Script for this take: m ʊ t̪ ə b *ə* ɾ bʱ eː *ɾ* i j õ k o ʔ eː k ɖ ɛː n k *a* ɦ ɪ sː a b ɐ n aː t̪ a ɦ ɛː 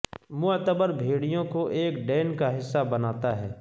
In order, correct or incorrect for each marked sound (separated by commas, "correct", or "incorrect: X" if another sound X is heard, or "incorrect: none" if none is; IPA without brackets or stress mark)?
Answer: correct, incorrect: ɽ, correct